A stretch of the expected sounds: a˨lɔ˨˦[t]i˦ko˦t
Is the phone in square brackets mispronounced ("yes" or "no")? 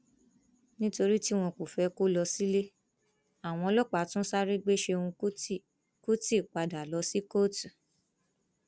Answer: yes